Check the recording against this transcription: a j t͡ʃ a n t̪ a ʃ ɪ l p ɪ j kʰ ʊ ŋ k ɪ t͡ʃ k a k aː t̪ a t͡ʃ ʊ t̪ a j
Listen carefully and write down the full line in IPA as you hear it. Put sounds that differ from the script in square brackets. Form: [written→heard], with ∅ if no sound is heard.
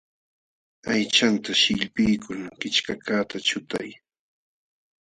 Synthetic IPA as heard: a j t͡ʃ a n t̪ a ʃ ɪ [l→ʎ] p ɪ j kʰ ʊ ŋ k ɪ t͡ʃ k a k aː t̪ a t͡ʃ ʊ t̪ a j